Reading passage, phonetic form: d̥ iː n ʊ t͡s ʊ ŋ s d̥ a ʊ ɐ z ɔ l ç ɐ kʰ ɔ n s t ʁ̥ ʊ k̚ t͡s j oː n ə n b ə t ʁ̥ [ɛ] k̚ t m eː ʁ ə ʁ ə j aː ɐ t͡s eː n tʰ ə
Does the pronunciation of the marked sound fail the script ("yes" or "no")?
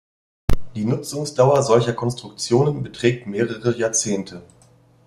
yes